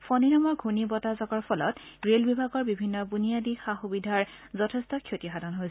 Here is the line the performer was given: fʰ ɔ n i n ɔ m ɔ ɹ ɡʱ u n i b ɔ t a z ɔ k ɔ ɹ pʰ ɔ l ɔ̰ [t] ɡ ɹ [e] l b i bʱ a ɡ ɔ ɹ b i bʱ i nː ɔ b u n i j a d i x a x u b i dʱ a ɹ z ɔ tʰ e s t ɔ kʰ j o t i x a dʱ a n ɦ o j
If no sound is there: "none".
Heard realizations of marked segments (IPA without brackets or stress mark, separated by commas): t, e